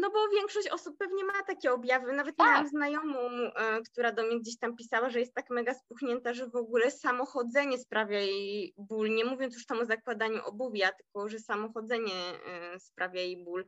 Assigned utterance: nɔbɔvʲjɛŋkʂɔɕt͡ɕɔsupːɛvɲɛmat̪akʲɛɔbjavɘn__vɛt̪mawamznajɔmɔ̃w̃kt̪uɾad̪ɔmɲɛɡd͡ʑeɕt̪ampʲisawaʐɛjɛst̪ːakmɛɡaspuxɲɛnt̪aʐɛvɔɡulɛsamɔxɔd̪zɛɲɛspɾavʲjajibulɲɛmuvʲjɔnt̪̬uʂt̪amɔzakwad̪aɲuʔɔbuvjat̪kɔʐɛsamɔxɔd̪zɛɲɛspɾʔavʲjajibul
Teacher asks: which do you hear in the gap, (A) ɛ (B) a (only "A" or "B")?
B